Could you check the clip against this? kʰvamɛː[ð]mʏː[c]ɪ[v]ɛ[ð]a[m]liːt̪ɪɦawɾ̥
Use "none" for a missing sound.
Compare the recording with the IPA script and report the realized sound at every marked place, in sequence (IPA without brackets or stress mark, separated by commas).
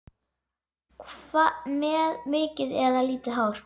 ð, c, ð, ð, none